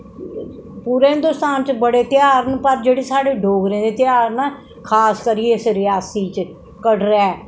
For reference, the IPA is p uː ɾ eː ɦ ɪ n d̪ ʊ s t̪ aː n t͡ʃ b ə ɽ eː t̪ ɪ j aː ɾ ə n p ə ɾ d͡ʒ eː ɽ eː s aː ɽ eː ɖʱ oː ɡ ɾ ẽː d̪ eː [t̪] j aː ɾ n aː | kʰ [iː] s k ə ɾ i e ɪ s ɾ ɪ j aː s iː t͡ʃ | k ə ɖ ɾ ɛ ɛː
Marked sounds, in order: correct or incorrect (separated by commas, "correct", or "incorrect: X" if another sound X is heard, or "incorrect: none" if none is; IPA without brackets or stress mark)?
correct, incorrect: aː